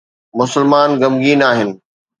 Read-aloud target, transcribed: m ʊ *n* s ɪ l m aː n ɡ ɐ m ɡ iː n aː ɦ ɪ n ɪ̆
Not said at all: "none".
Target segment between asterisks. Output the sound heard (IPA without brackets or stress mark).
none